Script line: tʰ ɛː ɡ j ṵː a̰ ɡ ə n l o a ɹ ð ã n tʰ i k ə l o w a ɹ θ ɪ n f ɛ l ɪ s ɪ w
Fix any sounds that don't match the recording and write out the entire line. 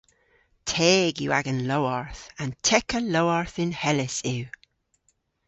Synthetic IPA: tʰ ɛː ɡ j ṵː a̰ ɡ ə n l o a ɹ θ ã n tʰ ɛ k ə l o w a ɹ θ ɪ n h ɛ l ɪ s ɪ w